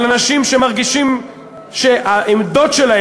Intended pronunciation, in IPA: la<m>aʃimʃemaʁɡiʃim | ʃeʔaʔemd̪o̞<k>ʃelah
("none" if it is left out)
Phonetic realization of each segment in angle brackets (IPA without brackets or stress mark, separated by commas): n, t